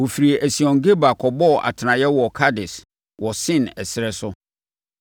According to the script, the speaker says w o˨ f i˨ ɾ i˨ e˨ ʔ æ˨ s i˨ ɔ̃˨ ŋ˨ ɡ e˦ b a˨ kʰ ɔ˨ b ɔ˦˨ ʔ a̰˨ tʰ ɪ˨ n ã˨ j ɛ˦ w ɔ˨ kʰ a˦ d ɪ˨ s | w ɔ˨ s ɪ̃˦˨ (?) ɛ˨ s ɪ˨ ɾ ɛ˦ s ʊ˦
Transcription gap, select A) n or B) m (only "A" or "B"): A